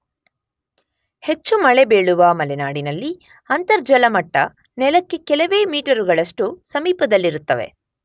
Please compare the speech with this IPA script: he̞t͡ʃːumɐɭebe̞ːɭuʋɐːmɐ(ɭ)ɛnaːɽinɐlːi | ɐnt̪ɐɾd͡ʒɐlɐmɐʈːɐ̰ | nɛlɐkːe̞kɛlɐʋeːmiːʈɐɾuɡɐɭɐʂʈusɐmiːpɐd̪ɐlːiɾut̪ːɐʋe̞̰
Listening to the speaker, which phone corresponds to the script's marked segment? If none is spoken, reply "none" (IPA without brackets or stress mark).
l